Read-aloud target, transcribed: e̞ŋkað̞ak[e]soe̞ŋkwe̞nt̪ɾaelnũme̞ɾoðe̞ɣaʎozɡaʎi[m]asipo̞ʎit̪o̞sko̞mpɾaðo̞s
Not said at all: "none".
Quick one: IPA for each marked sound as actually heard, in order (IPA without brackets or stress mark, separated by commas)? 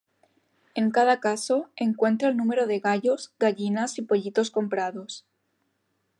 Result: a, n